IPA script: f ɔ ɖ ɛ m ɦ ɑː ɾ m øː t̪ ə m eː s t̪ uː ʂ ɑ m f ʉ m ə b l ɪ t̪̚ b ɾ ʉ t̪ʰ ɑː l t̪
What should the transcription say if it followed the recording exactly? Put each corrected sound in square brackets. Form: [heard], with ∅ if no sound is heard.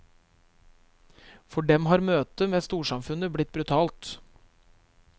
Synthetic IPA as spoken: f ɔ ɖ ɛ m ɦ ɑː ɾ m øː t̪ ə m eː s t̪ uː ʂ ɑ m f ʉ [n] ə b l ɪ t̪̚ b ɾ ʉ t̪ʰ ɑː l t̪